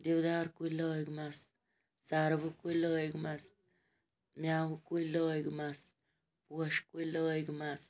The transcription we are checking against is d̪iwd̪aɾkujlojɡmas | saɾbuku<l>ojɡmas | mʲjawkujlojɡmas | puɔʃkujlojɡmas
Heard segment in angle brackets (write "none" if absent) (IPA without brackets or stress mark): l